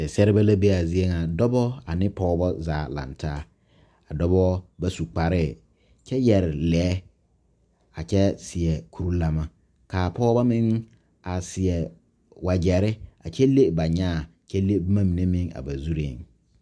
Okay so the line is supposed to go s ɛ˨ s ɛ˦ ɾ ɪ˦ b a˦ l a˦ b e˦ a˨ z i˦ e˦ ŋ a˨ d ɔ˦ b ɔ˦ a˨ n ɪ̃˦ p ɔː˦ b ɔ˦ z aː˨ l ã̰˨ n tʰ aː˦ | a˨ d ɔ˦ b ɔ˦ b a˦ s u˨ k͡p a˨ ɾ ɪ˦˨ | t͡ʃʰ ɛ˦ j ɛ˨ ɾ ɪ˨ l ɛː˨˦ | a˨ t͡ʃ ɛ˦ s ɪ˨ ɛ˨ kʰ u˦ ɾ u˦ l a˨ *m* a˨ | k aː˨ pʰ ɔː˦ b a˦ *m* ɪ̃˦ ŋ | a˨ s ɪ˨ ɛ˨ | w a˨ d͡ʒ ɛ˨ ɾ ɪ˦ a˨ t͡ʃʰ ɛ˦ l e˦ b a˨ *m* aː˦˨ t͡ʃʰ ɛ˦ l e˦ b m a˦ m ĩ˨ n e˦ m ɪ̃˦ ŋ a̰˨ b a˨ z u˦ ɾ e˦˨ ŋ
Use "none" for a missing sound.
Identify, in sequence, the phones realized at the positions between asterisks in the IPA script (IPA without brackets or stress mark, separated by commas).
m, m, ɲ